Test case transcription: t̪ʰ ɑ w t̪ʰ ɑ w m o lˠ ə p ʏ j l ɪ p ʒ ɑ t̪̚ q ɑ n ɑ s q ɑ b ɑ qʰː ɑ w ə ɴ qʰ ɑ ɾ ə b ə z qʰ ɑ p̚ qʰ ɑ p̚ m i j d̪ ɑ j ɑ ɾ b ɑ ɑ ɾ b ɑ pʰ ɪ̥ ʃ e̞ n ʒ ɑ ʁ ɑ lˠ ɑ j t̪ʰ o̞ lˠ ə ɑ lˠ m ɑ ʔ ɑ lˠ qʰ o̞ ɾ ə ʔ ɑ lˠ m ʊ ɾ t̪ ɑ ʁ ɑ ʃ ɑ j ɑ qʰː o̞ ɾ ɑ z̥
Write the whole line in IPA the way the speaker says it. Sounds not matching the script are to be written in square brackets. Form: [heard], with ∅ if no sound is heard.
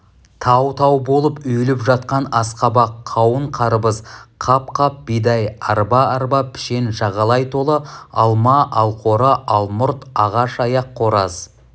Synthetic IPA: t̪ʰ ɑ w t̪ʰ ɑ w [b] o lˠ ə p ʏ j l ɪ p ʒ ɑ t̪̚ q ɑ n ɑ s q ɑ b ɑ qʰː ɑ w ə ɴ qʰ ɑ ɾ ə b ə z qʰ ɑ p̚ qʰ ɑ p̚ [b] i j d̪ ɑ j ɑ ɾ b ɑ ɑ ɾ b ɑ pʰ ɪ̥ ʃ e̞ n ʒ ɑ ʁ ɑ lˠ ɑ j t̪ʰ o̞ lˠ ə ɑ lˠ m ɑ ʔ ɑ lˠ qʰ o̞ ɾ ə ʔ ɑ lˠ m ʊ ɾ t̪ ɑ ʁ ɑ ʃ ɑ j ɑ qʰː o̞ ɾ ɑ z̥

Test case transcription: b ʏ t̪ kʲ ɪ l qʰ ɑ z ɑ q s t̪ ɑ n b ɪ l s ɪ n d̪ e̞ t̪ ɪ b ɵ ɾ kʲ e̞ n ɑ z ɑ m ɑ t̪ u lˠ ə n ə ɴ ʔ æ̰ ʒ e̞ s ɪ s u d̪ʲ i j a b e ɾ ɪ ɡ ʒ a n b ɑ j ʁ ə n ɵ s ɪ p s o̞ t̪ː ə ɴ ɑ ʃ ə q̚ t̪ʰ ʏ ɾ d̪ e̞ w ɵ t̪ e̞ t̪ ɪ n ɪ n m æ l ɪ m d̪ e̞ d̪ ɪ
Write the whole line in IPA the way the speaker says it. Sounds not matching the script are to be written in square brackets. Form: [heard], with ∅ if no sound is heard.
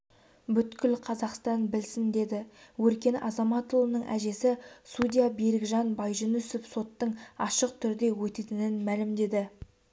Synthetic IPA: b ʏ t̪ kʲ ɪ l qʰ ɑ z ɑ q s t̪ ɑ n b ɪ l s ɪ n d̪ e̞ [d̪] ɪ [w] ɵ ɾ kʲ e̞ n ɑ z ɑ m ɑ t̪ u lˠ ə n ə ɴ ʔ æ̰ ʒ e̞ s ɪ s u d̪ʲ i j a b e ɾ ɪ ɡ ʒ [ɑ] n b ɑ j [ʒ] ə n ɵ s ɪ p s o̞ t̪ː ə ɴ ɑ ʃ ə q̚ t̪ʰ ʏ ɾ d̪ e̞ w ɵ t̪ e̞ t̪ ɪ n ɪ n m æ l ɪ m d̪ e̞ d̪ ɪ

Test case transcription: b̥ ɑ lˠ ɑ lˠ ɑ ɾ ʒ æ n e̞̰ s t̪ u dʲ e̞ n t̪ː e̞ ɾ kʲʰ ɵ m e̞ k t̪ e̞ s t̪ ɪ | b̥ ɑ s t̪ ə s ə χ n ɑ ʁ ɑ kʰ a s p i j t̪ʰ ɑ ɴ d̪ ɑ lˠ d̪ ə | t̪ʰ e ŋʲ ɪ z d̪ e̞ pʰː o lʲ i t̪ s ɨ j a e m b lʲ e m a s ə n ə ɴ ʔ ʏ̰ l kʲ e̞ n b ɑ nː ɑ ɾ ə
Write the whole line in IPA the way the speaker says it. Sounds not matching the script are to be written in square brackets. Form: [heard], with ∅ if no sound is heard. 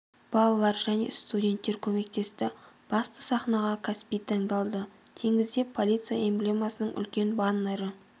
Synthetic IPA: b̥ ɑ lˠ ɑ lˠ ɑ ɾ ʒ æ n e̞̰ s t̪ u dʲ e̞ n t̪ː e̞ ɾ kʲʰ ɵ m e̞ k t̪ e̞ s t̪ ɪ | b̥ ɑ s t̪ ə s [ɑ] χ n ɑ ʁ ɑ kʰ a s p i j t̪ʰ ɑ ɴ d̪ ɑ lˠ d̪ ə | t̪ʰ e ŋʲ ɪ z d̪ e̞ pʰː o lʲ i t̪ s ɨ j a e m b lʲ e m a s ə n ə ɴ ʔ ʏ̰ l kʲ e̞ n b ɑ nː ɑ ɾ ə

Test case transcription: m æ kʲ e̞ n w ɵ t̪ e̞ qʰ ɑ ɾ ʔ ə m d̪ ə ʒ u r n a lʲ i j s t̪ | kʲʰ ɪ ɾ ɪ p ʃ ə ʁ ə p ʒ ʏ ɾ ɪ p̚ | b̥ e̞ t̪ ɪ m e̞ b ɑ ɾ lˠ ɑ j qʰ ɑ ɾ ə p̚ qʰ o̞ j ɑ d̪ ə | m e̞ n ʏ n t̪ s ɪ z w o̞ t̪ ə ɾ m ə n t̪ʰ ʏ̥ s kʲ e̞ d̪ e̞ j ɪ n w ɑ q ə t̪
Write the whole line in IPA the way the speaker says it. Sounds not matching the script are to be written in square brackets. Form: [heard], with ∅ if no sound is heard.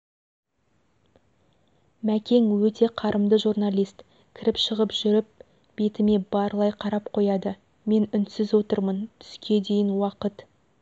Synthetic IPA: m æ kʲ e̞ [ŋ] w ɵ t̪ e̞ qʰ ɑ ɾ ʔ ə m d̪ ə ʒ u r n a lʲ i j s t̪ | kʲʰ ɪ ɾ ɪ p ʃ ə ʁ ə p ʒ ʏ ɾ ɪ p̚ | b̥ e̞ t̪ ɪ m e̞ b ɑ ɾ lˠ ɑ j qʰ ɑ ɾ [ɑ] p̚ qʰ o̞ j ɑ d̪ ə | m e̞ n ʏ n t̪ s ɪ z w o̞ t̪ ə ɾ m ə n t̪ʰ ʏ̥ s kʲ e̞ d̪ e̞ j ɪ n w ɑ q ə t̪

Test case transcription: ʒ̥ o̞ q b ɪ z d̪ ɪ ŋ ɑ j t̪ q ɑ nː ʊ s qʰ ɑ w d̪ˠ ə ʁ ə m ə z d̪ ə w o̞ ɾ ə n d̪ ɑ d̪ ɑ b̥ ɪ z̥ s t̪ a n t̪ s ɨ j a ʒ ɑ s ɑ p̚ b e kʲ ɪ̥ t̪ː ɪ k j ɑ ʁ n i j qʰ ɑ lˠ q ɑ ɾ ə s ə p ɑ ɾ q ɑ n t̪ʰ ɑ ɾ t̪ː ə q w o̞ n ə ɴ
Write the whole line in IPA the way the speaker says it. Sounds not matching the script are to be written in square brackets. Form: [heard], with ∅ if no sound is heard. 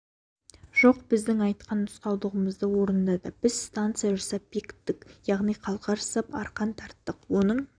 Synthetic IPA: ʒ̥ o̞ q b ɪ z d̪ ɪ ŋ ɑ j t̪ q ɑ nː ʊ s [q] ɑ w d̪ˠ ə ʁ ə m ə z d̪ ə w o̞ ɾ ə n d̪ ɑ d̪ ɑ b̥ ɪ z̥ s t̪ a n t̪ s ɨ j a ʒ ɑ s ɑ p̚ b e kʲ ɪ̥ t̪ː ɪ k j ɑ ʁ n i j qʰ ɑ lˠ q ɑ ɾ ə s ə p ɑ ɾ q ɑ n t̪ʰ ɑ ɾ t̪ː ə q w o̞ n ə ɴ

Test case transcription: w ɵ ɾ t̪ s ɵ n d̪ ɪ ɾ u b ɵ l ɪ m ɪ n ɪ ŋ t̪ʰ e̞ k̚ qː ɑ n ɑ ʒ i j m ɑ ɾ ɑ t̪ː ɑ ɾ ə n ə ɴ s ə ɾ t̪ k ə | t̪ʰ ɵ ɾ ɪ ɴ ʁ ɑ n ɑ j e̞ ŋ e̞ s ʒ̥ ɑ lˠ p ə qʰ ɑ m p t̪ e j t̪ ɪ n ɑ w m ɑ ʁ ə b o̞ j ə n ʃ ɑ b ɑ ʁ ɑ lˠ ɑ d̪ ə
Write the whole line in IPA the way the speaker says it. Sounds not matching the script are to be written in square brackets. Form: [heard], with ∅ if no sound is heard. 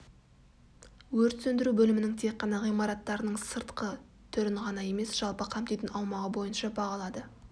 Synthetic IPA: w ɵ ɾ t̪ s ɵ n d̪ ɪ ɾ u b ɵ l ɪ m ɪ n ɪ ŋ t̪ʰ e̞ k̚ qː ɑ n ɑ [ʁ] i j m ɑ ɾ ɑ t̪ː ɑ ɾ ə n ə ɴ s ə ɾ t̪ [q] ə | t̪ʰ ɵ ɾ ɪ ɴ ʁ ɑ n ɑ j e̞ [m] e̞ s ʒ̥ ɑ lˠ p ə qʰ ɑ m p t̪ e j t̪ ɪ n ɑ w m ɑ ʁ ə b o̞ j ə n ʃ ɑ b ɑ ʁ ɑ lˠ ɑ d̪ ə

